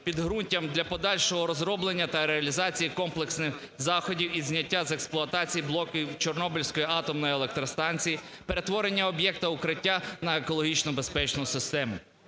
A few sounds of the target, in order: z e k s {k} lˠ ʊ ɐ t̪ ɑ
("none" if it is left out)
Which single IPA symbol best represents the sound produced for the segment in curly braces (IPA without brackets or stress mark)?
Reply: p